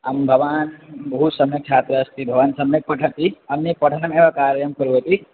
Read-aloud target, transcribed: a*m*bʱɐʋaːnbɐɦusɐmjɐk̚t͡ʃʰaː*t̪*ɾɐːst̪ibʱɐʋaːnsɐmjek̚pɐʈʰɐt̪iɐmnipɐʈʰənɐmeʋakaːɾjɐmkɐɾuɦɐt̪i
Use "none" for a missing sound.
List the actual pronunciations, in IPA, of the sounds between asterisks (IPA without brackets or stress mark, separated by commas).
m, t̪